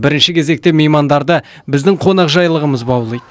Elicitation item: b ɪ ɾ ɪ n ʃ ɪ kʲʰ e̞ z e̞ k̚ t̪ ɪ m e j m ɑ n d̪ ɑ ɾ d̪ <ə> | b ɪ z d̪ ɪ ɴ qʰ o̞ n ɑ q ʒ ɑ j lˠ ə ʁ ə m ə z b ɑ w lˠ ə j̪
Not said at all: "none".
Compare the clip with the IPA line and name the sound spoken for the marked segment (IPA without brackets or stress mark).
ə